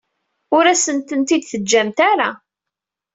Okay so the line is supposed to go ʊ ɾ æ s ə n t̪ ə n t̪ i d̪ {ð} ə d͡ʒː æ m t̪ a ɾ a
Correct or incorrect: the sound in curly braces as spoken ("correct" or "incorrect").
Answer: incorrect